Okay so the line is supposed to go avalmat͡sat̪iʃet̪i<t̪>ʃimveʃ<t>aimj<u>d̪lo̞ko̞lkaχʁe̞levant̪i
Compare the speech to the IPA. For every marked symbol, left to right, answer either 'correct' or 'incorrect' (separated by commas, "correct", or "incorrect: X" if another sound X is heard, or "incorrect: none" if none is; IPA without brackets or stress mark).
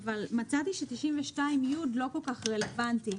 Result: incorrect: none, correct, correct